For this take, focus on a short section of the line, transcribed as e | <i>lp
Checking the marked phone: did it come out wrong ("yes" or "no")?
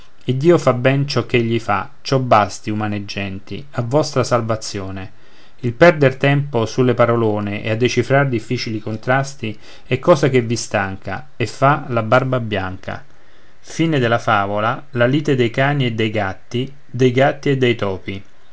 no